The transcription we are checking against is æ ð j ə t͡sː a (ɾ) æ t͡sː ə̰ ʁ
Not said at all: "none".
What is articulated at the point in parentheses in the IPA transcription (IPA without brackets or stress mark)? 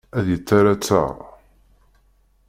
ɾ